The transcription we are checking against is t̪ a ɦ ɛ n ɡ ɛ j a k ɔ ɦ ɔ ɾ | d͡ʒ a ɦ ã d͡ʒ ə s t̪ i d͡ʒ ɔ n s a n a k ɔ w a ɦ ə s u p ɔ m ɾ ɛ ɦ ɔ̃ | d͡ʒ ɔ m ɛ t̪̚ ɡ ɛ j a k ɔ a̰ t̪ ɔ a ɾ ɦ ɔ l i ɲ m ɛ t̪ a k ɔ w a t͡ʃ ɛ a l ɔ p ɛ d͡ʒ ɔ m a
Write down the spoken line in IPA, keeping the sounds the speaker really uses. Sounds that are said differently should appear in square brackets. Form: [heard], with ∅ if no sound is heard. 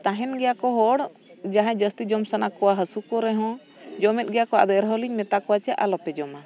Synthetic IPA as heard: t̪ a ɦ ɛ n ɡ ɛ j a k ɔ ɦ ɔ [ɽ] | d͡ʒ a ɦ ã d͡ʒ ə s t̪ i d͡ʒ ɔ [m] s a n a k ɔ w a ɦ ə s u [k] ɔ [∅] ɾ ɛ ɦ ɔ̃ | d͡ʒ ɔ m ɛ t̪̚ ɡ ɛ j a k ɔ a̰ [d̪] ɔ [ɛ] ɾ ɦ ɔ l i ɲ m ɛ t̪ a k ɔ w a t͡ʃ ɛ a l ɔ p ɛ d͡ʒ ɔ m a